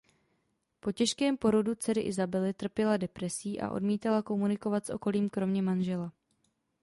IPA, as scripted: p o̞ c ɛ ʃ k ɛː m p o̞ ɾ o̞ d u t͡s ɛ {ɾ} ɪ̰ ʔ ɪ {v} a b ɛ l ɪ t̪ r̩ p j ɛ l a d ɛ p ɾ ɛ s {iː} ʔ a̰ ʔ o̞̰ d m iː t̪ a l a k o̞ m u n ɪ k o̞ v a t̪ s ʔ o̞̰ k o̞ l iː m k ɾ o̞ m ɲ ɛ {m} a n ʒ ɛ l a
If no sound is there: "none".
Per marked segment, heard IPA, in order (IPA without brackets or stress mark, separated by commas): ɾ, z, iː, m